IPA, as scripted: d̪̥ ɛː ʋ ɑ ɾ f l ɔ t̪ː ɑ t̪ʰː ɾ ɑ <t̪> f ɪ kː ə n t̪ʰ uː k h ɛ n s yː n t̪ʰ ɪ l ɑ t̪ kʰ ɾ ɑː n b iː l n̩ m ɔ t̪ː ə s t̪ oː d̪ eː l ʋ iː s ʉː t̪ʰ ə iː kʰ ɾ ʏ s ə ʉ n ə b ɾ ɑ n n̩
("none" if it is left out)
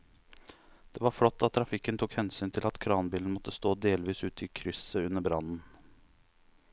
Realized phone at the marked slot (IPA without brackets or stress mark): none